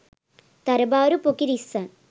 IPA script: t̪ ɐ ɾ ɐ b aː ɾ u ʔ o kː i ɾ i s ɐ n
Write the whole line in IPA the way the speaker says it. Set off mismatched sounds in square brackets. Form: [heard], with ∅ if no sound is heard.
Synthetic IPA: t̪ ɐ ɾ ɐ b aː ɾ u [p] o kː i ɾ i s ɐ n